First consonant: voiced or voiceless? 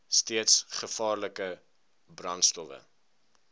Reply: voiceless